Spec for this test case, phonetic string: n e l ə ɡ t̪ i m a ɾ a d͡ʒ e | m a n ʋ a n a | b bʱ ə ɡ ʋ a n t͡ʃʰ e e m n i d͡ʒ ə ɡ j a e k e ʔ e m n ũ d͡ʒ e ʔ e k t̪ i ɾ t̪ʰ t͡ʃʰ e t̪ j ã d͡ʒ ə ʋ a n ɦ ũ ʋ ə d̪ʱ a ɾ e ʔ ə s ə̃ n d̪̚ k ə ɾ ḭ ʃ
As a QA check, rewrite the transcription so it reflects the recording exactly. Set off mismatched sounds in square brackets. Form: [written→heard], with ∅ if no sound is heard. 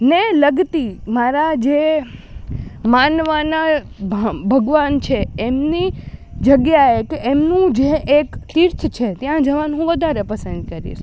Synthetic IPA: n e l ə ɡ t̪ i m a ɾ a d͡ʒ e | m a n ʋ a n a | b bʱ ə ɡ ʋ a n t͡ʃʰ e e m n i d͡ʒ ə ɡ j a e k e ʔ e m n ũ d͡ʒ e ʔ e k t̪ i ɾ t̪ʰ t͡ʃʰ e t̪ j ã d͡ʒ ə ʋ a n ɦ ũ ʋ ə d̪ʱ a ɾ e [ʔ→p] ə s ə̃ n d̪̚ k ə ɾ ḭ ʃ